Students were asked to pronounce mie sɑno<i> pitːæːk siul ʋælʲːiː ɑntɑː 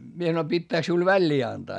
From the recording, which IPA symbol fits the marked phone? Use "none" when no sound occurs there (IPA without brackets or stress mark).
i